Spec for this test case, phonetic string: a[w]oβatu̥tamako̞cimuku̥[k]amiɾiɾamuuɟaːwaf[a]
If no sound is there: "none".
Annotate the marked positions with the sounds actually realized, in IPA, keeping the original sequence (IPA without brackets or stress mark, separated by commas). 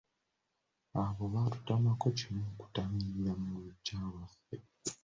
β, t, e